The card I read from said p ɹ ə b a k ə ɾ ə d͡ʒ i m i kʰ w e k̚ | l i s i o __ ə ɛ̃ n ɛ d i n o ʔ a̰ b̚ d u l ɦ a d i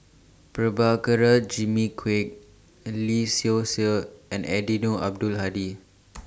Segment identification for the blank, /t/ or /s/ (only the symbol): s